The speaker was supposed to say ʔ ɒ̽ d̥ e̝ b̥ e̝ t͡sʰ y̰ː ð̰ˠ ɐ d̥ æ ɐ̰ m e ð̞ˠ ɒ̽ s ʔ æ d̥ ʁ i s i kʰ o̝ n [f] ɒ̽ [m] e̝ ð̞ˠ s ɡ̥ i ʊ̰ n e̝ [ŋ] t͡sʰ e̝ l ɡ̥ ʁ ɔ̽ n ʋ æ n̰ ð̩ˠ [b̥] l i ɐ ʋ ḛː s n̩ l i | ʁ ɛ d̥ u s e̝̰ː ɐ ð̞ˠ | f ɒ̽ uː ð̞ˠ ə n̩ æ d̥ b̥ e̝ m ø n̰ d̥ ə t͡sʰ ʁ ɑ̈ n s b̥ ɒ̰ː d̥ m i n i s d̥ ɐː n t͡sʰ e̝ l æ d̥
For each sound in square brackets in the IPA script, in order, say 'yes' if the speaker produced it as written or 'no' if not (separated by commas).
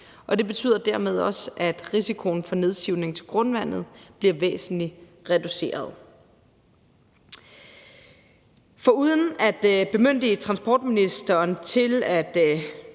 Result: yes, no, yes, yes